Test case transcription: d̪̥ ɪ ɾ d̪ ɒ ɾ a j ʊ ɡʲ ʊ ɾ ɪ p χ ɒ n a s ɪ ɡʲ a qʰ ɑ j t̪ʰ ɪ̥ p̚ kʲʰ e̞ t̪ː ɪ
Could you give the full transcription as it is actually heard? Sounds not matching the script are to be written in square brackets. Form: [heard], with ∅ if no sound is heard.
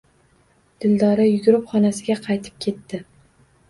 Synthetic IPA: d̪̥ ɪ [l] d̪ ɒ ɾ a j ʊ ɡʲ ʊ ɾ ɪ p χ ɒ n a s ɪ ɡʲ a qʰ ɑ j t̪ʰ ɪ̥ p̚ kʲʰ e̞ t̪ː ɪ